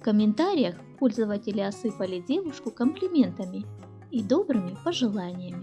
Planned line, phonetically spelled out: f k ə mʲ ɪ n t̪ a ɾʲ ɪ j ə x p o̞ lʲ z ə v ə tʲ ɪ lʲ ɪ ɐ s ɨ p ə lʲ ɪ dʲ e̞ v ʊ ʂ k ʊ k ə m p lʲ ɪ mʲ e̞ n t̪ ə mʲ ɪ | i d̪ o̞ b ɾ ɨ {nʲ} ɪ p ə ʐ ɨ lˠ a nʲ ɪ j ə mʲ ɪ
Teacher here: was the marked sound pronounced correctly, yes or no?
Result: no